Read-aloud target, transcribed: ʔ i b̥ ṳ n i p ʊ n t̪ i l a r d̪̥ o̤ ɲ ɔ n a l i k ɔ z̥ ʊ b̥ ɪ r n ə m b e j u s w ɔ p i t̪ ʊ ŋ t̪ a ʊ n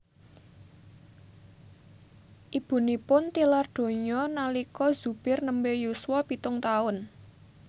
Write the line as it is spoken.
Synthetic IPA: ʔ i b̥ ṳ n i p ʊ n t̪ i l a r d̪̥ o̤ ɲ ɔ n a l i k ɔ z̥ u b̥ ɪ r n ə m b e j u s w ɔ p i t̪ ʊ ŋ t̪ a ʊ n